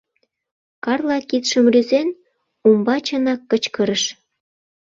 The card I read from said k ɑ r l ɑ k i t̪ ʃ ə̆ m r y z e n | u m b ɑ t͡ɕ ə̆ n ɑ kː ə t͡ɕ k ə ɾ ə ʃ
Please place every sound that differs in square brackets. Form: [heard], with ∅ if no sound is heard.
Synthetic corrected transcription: k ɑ r l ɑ k i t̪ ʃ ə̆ m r y z e n | u m b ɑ t͡ɕ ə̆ n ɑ kː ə t͡ɕ k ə ɾ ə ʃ